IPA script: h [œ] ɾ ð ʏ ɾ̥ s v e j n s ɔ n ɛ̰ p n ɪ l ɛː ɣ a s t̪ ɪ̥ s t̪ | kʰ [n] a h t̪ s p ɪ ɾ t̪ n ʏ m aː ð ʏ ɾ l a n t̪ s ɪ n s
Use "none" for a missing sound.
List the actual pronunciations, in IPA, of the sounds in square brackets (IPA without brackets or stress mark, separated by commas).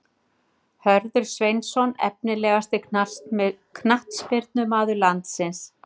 œ, n